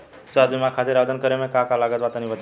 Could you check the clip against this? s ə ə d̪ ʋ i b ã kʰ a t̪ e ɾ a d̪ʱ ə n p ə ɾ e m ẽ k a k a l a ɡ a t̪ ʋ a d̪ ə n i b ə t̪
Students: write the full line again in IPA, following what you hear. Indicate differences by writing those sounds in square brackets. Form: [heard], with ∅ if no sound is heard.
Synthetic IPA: s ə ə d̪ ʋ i [m] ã kʰ a t̪ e ɾ a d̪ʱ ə n [k] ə ɾ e m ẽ k a k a l a ɡ [ə] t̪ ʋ a [t̪] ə n i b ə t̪